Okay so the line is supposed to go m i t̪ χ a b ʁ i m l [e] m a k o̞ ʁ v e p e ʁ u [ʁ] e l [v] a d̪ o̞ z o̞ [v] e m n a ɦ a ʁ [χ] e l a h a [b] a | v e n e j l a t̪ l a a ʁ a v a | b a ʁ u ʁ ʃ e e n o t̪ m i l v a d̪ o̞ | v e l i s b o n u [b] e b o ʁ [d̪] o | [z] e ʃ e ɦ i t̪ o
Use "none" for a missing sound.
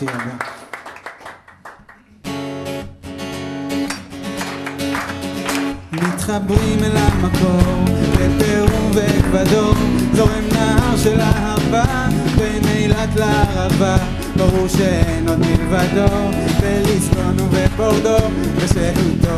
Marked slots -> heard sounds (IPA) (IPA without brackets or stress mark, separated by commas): a, v, v, ʁ, ʃ, v, v, d̪, v